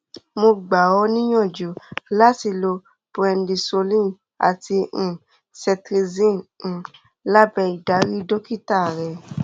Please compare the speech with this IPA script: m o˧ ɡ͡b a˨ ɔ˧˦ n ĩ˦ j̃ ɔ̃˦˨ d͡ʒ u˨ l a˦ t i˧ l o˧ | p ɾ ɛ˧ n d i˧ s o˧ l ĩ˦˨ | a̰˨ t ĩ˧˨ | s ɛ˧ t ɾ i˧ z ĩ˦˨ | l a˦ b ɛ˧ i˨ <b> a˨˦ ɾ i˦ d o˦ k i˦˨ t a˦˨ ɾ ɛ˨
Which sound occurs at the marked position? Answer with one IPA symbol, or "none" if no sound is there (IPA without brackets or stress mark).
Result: d